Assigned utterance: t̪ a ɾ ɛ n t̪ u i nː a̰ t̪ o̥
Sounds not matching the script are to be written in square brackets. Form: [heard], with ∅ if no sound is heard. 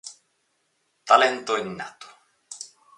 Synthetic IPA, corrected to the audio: t̪ a [l] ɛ n t̪ [o] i nː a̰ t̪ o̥